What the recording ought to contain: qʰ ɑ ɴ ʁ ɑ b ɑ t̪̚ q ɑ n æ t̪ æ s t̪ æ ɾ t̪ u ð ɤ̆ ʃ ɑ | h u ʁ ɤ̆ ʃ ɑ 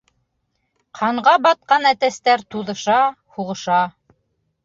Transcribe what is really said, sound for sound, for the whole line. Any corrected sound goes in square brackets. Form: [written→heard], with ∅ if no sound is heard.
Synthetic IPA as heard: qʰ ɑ ɴ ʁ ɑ b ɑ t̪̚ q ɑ n æ t̪ æ s t̪ æ ɾ t̪ u ð ɤ̆ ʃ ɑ | h u ʁ ɤ̆ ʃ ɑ